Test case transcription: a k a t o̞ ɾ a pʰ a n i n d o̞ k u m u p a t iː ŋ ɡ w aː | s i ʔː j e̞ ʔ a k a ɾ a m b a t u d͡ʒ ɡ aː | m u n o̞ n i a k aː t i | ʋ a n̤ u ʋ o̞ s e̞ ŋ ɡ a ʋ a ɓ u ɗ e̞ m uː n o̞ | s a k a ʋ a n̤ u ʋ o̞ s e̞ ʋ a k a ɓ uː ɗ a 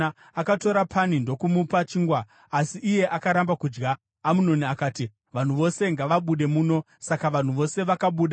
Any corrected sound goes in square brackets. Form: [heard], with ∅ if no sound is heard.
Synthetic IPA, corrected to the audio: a k a t o̞ ɾ a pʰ a n i n d o̞ k u m u p a [t͡ʃ] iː ŋ ɡ w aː | s i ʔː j e̞ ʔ a k a ɾ a m b a [k] u d͡ʒ ɡ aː | m u n o̞ n i a k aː t i | ʋ a n̤ u ʋ o̞ s e̞ ŋ ɡ a ʋ a ɓ u ɗ e̞ m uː n o̞ | s a k a ʋ a n̤ u ʋ o̞ s e̞ ʋ a k a ɓ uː ɗ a